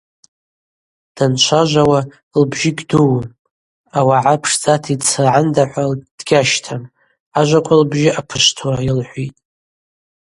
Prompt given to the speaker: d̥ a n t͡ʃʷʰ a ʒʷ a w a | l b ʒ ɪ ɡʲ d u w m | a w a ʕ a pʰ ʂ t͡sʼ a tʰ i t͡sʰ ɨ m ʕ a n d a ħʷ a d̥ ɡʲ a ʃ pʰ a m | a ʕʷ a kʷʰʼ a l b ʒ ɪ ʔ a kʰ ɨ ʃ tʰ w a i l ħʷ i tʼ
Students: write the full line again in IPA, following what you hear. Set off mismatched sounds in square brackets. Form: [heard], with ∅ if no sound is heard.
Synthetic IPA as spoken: d̥ a n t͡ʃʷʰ a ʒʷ a w a | l b ʒ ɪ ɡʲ d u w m | a w a ʕ a pʰ ʂ t͡sʼ a tʰ i t͡sʰ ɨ [∅] ʕ a n d a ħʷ a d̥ ɡʲ a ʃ [tʰ] a m | a [ʒʷ] a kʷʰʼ a l b ʒ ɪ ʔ a [pʰ] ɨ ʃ tʰ w a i l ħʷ i tʼ